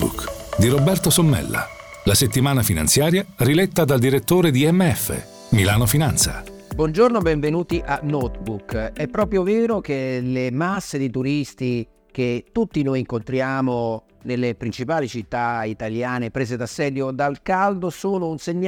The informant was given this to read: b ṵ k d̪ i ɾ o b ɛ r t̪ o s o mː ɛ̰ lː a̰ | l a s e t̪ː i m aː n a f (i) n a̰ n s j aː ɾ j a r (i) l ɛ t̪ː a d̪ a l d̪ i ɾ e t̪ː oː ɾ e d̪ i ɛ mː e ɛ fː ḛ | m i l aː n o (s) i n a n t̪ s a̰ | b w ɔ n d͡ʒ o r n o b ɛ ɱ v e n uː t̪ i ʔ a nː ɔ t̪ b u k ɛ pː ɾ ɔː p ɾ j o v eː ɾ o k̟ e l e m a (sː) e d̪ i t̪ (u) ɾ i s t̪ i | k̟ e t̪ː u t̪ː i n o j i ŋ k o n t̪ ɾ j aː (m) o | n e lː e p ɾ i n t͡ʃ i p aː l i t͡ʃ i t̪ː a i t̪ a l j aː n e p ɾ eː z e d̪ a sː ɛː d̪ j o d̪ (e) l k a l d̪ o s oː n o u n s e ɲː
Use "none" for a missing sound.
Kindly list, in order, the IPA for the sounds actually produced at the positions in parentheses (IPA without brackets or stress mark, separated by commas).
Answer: i, i, f, sː, u, m, a